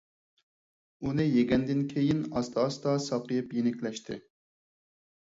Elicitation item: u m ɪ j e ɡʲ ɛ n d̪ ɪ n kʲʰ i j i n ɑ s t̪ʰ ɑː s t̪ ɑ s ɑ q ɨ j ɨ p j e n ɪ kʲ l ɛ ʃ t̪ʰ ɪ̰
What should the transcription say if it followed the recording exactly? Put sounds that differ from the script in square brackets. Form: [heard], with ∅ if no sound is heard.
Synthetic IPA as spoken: u [n] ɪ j e ɡʲ ɛ n d̪ ɪ n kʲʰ [e] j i n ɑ s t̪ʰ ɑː s t̪ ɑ s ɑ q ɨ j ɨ p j e n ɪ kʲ l ɛ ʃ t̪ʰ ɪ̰